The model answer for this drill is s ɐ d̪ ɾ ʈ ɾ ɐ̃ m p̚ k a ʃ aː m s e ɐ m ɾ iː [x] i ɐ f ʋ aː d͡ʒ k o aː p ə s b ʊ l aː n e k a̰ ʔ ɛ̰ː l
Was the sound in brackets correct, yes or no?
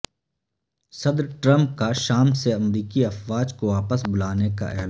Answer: no